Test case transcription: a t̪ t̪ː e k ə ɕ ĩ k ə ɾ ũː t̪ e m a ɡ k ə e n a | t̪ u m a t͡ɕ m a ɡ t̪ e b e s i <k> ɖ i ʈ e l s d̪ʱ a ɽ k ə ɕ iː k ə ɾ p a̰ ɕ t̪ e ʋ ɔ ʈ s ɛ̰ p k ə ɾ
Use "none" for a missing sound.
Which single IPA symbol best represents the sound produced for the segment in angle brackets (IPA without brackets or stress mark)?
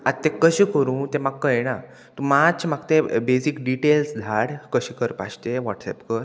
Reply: k